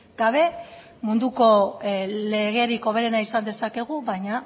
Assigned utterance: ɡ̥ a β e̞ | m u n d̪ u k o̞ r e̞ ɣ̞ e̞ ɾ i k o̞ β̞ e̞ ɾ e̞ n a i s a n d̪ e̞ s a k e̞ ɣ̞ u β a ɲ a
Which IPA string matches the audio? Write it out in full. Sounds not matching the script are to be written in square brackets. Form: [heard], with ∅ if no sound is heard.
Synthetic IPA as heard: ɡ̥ a β e̞ | m u n d̪ u k o̞ [l] e̞ ɣ̞ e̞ ɾ i k o̞ β̞ e̞ ɾ e̞ n a i s a n d̪ e̞ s a k e̞ ɣ̞ u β a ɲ a